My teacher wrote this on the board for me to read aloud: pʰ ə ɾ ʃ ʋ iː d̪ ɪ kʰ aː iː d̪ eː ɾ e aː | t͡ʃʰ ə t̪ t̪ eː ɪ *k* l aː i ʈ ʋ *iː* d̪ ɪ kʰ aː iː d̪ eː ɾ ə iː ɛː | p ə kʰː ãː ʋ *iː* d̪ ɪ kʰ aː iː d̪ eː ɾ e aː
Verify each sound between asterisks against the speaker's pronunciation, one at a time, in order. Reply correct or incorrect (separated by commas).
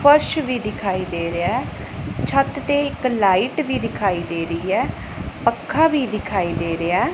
correct, correct, correct